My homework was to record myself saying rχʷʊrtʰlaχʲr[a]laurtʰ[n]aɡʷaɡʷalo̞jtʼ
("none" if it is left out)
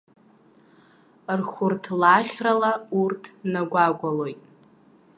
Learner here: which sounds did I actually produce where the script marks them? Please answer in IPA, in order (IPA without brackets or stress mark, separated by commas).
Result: a, n